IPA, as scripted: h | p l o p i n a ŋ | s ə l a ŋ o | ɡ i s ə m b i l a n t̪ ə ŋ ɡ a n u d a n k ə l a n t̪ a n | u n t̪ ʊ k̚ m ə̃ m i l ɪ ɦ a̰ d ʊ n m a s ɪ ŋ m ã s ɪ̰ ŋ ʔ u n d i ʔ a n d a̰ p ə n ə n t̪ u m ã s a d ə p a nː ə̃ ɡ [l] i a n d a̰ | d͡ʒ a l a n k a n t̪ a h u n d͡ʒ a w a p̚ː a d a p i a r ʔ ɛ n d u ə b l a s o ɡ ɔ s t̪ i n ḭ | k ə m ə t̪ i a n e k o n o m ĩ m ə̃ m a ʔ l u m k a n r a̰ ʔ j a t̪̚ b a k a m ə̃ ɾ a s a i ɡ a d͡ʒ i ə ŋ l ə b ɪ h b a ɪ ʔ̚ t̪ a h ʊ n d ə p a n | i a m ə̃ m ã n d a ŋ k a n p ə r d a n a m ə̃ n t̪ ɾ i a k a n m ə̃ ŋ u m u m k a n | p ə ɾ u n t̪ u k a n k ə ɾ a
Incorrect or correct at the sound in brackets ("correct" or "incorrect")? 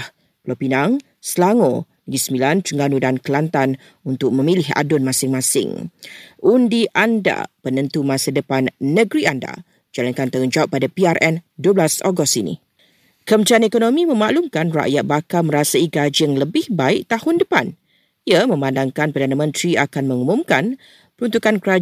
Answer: incorrect